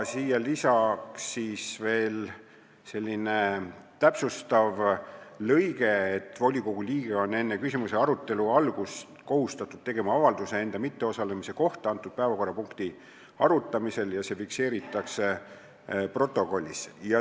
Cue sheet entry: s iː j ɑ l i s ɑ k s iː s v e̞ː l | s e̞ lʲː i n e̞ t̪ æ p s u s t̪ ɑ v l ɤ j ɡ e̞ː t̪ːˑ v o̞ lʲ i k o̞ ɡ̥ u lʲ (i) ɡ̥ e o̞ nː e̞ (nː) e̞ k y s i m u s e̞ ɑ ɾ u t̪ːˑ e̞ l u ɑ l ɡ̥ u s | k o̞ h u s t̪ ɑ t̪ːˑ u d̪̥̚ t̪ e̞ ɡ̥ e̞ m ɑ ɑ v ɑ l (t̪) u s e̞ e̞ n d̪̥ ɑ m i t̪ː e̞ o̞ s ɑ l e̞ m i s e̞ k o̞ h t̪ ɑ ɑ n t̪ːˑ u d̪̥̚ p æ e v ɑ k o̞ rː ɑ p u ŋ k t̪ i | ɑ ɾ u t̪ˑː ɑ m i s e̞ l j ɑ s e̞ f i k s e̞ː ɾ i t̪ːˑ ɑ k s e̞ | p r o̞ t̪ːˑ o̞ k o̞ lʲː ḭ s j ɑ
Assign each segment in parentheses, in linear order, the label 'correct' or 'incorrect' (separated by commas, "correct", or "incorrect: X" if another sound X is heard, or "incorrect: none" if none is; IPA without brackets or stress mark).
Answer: incorrect: iː, correct, incorrect: d̪